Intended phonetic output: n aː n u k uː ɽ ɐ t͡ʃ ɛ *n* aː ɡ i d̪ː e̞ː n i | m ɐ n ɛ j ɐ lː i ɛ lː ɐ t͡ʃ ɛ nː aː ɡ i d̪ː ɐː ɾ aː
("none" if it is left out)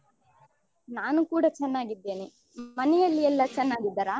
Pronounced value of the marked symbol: nː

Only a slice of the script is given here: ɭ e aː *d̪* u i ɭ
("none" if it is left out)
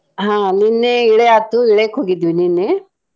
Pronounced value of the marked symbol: t̪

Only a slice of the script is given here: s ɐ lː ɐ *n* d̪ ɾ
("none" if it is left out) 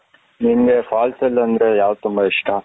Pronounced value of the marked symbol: n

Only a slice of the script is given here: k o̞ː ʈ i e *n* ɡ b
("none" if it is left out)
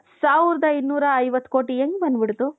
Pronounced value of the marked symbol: ŋ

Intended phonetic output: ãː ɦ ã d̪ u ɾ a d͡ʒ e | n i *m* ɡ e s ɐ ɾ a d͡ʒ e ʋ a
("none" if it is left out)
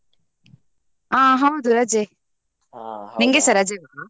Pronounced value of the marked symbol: ŋ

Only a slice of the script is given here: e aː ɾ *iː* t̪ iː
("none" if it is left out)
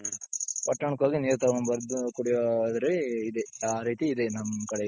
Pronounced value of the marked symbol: iː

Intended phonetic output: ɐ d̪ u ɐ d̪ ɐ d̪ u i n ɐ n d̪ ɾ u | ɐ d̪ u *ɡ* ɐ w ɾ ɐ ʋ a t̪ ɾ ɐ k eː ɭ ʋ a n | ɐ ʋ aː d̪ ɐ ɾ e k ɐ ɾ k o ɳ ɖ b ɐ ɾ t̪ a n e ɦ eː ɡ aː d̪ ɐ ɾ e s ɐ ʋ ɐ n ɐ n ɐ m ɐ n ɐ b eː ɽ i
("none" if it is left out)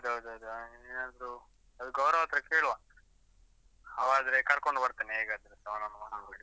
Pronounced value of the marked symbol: ɡ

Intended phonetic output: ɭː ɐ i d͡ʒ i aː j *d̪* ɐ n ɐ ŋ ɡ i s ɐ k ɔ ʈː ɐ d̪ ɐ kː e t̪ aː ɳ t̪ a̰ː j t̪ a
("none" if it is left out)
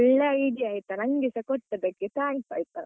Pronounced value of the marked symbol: t̪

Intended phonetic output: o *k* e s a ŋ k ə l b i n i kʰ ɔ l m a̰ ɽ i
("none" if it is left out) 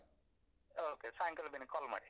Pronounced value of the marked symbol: k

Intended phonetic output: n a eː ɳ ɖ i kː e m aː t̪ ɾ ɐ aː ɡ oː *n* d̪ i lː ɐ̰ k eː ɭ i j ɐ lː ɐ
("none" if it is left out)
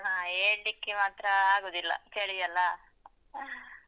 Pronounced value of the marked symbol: none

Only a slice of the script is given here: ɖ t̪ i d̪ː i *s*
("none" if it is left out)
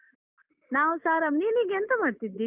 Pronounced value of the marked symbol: none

